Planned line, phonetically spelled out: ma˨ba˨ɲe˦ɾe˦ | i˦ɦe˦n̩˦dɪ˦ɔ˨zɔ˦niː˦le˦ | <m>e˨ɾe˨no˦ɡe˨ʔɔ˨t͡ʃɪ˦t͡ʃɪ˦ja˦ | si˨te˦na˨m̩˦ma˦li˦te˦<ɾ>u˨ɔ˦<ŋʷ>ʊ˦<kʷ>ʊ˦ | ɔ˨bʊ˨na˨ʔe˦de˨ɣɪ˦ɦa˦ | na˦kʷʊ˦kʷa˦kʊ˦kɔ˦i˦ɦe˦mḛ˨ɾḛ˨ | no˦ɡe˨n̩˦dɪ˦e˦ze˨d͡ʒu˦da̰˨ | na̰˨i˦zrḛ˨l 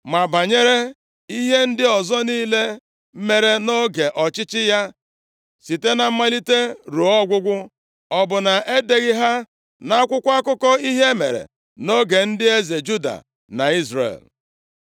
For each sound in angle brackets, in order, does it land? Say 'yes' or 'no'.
yes, yes, no, no

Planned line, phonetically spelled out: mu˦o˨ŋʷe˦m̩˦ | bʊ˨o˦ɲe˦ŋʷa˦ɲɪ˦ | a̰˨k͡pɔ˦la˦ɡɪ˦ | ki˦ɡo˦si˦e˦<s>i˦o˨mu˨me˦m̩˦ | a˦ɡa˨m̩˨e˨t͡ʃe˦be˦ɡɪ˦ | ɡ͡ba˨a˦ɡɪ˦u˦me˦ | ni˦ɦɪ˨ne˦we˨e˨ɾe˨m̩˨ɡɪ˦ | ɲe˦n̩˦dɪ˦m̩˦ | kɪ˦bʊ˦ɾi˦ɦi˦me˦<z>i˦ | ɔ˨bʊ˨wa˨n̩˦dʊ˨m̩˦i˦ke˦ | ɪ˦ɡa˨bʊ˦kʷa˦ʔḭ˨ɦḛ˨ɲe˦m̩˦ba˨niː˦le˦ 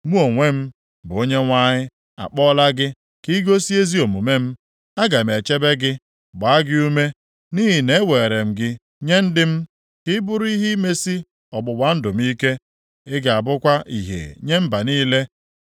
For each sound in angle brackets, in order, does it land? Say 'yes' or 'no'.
no, no

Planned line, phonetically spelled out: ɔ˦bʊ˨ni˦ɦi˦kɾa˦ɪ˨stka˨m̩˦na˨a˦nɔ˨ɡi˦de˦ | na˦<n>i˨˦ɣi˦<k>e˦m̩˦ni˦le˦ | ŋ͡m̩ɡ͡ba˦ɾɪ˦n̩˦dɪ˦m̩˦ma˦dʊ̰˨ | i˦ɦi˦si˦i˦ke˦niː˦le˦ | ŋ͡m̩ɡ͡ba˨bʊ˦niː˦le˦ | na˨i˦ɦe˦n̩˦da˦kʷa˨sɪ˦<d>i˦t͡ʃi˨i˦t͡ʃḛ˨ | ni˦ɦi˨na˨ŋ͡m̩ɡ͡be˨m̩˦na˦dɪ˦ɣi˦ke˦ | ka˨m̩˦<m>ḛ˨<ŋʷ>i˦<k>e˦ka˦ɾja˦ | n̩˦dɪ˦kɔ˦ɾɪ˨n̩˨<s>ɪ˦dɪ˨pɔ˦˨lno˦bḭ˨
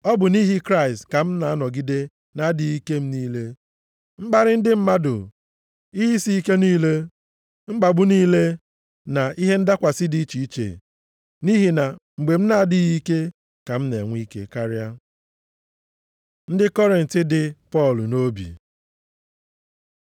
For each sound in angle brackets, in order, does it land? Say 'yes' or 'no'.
no, yes, yes, no, yes, yes, no

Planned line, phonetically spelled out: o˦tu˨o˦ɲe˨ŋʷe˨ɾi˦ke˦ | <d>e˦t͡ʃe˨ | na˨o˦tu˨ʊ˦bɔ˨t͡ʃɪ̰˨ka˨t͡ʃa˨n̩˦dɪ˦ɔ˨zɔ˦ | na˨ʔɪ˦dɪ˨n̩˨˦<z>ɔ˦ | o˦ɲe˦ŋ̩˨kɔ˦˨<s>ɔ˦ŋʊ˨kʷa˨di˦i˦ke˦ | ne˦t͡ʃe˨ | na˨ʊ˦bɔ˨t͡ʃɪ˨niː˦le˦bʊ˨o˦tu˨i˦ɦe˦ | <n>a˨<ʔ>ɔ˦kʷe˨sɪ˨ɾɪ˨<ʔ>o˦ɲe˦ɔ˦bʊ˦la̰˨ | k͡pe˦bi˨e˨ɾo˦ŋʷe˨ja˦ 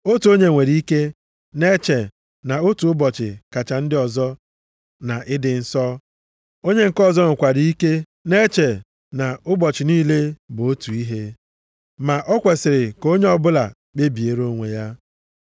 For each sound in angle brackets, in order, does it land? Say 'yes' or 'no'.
no, no, no, no, yes, no

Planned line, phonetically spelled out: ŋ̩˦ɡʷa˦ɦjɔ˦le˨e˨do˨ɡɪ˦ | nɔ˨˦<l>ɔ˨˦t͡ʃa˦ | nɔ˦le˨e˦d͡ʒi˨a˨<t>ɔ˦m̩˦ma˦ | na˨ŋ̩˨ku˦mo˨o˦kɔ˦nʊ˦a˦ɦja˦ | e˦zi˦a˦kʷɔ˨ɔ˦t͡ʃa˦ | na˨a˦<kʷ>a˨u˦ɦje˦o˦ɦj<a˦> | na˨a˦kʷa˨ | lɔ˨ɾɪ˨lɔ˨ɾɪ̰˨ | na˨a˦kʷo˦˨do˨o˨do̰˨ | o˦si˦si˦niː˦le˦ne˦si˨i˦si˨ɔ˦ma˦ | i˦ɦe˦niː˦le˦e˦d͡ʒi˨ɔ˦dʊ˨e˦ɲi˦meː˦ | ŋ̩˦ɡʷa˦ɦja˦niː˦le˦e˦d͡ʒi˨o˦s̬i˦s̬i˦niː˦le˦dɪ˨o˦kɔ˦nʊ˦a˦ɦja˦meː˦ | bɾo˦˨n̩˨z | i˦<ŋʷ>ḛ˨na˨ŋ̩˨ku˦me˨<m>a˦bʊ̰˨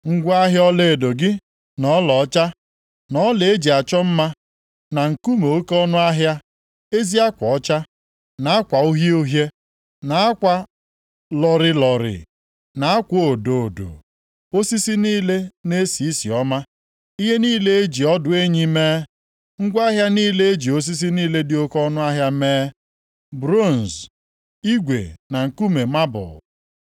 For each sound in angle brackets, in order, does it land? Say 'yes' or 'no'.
yes, no, yes, no, no, yes

